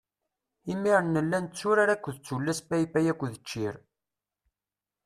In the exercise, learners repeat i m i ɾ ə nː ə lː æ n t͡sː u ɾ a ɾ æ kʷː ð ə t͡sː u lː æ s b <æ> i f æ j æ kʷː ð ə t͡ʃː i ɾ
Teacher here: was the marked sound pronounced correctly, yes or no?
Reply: yes